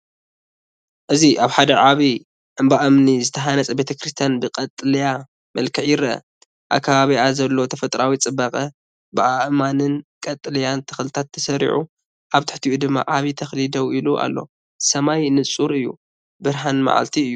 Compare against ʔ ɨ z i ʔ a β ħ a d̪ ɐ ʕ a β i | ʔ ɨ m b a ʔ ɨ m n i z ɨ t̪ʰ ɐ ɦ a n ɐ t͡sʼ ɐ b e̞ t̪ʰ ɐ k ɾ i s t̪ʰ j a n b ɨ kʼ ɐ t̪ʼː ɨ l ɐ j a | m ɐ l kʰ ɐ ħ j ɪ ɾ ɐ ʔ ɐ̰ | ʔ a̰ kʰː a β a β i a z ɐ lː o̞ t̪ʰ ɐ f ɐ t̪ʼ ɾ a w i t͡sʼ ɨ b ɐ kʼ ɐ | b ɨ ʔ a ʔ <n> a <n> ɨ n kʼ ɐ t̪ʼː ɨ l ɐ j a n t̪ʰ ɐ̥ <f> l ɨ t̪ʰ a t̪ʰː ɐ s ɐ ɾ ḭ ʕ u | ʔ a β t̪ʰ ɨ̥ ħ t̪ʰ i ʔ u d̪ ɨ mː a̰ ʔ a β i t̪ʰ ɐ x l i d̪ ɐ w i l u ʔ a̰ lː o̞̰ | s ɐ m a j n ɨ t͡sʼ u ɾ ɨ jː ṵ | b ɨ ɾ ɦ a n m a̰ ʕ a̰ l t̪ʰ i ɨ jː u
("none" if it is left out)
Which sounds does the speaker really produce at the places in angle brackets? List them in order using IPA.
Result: m, n, x

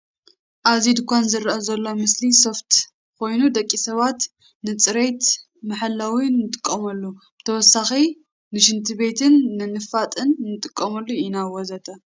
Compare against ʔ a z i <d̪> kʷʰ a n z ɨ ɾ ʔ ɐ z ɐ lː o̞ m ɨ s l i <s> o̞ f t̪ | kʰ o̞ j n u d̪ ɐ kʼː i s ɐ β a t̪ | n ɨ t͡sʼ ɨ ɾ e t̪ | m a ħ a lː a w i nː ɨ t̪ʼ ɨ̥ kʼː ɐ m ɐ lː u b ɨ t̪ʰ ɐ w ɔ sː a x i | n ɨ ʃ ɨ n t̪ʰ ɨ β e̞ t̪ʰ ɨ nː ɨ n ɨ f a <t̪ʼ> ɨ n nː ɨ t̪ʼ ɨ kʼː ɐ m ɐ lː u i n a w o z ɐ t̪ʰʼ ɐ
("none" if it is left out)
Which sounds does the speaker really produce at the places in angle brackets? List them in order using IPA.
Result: d̪, s, t̪ʼ

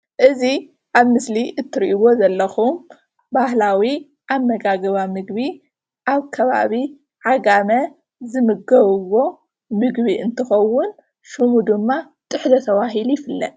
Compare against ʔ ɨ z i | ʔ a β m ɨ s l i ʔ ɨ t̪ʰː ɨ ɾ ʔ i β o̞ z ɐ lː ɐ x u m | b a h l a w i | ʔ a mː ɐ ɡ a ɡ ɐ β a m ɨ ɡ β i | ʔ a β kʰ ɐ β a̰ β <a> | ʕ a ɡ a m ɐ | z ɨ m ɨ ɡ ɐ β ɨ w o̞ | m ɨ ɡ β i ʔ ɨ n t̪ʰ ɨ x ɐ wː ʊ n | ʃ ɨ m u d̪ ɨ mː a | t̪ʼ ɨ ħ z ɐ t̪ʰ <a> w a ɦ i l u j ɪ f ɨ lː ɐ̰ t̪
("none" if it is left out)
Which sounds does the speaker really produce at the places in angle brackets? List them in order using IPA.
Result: i, ɐ

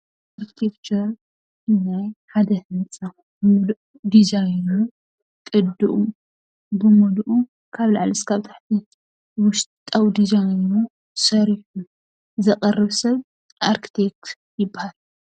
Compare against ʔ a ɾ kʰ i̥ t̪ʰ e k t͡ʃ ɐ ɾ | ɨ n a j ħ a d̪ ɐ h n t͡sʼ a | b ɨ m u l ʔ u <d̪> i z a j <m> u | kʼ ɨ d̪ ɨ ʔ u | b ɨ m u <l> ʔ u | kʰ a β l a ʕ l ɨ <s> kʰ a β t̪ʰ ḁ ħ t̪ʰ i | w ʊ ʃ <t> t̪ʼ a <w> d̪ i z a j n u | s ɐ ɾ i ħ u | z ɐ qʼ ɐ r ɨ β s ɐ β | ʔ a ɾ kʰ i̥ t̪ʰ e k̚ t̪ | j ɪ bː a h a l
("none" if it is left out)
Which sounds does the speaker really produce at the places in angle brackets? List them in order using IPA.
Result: d̪, n, l, s, t, w

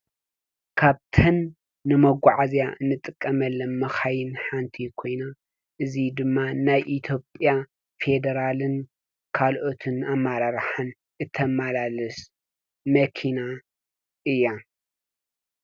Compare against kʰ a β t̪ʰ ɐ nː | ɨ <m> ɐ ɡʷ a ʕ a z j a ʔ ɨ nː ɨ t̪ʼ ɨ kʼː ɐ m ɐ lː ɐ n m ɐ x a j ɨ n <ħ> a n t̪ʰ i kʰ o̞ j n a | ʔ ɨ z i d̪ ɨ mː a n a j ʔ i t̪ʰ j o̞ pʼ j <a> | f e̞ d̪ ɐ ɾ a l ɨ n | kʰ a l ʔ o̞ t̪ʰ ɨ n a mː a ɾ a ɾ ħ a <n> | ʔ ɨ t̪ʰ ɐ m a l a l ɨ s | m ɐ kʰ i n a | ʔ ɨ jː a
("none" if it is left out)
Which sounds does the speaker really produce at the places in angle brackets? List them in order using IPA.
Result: m, ħ, a, n

